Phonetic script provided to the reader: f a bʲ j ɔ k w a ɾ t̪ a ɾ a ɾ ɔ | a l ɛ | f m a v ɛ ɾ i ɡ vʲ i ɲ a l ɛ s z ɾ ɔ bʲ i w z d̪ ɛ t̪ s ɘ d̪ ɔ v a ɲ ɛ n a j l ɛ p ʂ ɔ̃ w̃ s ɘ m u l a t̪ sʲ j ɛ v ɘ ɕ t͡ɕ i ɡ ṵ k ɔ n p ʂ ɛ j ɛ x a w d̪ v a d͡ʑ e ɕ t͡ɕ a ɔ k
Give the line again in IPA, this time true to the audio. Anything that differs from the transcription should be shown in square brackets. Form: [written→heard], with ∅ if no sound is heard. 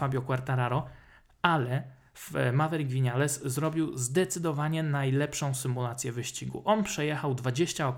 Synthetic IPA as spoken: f a bʲ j ɔ k w a ɾ t̪ a ɾ a ɾ ɔ | a l ɛ | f m a v ɛ ɾ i ɡ vʲ i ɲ a l ɛ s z ɾ ɔ bʲ i w z d̪ ɛ t̪ s ɘ d̪ ɔ v a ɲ ɛ n a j l ɛ p ʂ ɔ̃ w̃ s ɘ m u l a t̪ sʲ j ɛ v ɘ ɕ t͡ɕ i ɡ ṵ [k→ʔ] ɔ n p ʂ ɛ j ɛ x a w d̪ v a d͡ʑ e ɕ t͡ɕ a ɔ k